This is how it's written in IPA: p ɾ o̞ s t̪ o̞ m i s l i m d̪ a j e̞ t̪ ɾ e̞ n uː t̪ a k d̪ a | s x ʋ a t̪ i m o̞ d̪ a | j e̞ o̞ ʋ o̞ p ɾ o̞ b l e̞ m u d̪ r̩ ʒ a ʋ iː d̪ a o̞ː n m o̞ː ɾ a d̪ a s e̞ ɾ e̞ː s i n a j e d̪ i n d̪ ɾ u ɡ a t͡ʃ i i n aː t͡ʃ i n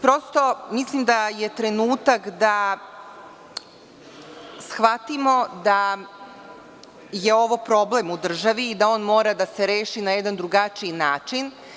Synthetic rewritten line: p ɾ o̞ s t̪ o̞ m i s l i m d̪ a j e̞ t̪ ɾ e̞ n uː t̪ a k d̪ a | s x ʋ a t̪ i m o̞ d̪ a | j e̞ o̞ ʋ o̞ p ɾ o̞ b l e̞ m u d̪ r̩ ʒ a ʋ iː d̪ a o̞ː n m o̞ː ɾ a d̪ a s e̞ ɾ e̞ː ʃ i n a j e d̪ a n d̪ ɾ u ɡ a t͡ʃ i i n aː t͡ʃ i n